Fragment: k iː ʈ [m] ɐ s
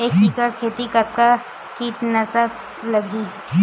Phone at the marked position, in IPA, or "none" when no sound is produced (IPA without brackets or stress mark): n